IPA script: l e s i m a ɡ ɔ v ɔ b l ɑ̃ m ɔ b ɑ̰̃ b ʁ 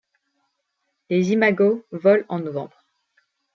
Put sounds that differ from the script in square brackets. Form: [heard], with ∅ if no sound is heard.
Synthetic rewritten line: l e [z] i m a ɡ [o] v ɔ [∅] l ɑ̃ [n] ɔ [v] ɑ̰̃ b ʁ